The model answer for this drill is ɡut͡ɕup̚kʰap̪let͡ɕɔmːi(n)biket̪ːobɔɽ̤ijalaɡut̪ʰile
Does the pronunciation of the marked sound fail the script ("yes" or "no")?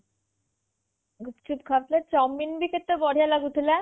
no